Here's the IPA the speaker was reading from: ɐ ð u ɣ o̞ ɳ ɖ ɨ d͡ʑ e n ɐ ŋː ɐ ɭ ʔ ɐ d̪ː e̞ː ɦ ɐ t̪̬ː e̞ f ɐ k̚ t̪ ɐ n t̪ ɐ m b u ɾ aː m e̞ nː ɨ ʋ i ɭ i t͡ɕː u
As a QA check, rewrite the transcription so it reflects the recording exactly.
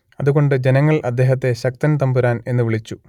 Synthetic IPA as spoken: ɐ ð u ɣ o̞ ɳ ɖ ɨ d͡ʑ e n ɐ ŋː ɐ ɭ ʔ ɐ d̪ː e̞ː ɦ ɐ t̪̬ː e̞ ɕ ɐ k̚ t̪ ɐ n t̪ ɐ m b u ɾ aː n e̞ nː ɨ ʋ i ɭ i t͡ɕː u